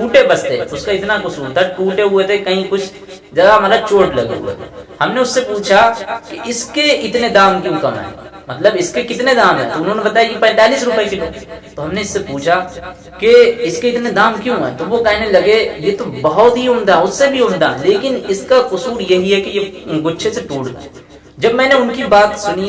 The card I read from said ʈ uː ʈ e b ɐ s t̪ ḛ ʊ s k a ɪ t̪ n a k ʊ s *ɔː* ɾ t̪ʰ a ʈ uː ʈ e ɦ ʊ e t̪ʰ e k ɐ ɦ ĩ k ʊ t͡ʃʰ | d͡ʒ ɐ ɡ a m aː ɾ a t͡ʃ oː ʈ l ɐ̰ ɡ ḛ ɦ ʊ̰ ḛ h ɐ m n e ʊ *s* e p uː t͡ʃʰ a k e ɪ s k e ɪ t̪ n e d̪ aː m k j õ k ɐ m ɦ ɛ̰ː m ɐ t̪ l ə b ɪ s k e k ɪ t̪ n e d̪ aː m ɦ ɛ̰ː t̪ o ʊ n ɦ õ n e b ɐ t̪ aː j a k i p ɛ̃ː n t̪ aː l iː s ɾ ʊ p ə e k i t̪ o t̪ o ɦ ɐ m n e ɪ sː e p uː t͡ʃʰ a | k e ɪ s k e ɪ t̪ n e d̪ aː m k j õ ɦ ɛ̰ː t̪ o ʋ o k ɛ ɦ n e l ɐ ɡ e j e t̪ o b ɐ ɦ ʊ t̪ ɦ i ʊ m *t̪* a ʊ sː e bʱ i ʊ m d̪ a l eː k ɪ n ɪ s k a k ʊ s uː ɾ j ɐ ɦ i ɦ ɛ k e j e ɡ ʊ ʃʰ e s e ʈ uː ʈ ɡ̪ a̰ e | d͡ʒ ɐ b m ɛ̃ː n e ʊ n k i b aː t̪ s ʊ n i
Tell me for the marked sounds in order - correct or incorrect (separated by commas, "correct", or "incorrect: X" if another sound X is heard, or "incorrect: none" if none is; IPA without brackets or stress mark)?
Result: incorrect: uː, incorrect: sː, incorrect: d̪